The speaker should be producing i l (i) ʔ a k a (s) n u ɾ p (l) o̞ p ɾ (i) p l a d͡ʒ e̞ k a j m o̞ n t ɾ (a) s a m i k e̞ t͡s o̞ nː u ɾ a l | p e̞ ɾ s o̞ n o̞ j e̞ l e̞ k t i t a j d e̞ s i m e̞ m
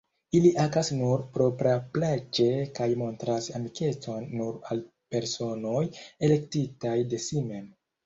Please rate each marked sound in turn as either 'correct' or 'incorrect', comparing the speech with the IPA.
correct, correct, incorrect: ɾ, incorrect: a, correct

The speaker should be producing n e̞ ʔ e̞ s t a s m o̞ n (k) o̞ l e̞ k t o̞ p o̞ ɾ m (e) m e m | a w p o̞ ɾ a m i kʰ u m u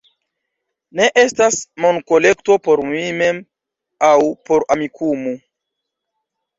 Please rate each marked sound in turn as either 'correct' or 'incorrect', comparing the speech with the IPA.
correct, incorrect: i

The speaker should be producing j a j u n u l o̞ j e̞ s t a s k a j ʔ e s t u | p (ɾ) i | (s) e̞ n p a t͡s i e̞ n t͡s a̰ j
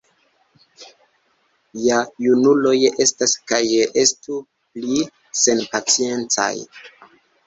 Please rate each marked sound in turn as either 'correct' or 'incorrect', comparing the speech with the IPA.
incorrect: l, correct

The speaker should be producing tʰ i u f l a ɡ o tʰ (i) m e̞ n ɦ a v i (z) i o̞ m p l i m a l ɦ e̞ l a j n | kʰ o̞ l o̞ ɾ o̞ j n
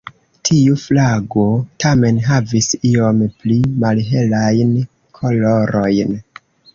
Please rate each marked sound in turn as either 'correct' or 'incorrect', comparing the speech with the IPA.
incorrect: a, incorrect: s

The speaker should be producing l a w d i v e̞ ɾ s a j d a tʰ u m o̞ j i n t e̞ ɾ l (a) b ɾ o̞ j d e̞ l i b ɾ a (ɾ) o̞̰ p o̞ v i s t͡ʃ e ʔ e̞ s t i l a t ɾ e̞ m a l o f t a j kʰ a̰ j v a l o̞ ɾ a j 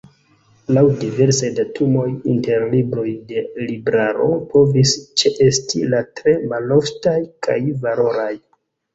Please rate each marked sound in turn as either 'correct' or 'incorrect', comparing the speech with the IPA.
incorrect: i, correct

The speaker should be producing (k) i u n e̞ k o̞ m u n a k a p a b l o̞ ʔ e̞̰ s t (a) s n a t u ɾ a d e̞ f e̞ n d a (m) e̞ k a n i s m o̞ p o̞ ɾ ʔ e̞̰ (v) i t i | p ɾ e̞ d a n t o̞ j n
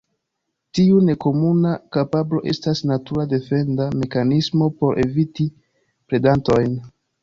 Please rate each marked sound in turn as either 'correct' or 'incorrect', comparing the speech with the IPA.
incorrect: t, correct, correct, correct

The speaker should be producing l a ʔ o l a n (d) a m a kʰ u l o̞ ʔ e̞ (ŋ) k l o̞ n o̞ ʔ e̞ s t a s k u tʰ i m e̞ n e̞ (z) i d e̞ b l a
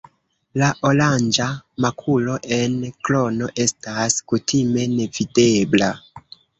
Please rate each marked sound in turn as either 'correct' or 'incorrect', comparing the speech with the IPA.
incorrect: d͡ʒ, incorrect: n, incorrect: v

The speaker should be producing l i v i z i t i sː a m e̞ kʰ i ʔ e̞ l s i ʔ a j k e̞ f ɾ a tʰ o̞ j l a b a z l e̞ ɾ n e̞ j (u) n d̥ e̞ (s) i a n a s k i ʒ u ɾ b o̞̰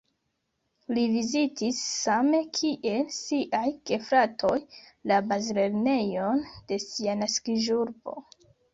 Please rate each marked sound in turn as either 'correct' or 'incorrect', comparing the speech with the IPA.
incorrect: o, correct

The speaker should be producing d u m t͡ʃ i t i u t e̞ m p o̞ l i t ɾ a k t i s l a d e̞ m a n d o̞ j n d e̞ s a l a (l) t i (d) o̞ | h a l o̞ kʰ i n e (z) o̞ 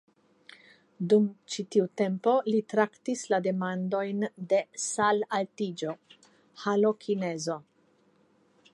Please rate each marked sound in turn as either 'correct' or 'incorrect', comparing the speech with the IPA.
correct, incorrect: d͡ʒ, correct

